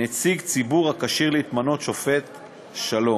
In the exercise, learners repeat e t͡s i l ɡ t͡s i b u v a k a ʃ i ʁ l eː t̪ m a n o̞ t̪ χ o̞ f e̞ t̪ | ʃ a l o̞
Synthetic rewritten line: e t͡s i ɡ t͡s i b u ʁ a k a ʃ i ʁ l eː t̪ m a n o̞ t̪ ʃ o̞ f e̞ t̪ | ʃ a l o̞